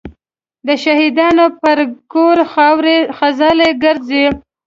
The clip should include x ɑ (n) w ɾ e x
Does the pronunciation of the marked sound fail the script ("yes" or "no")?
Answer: yes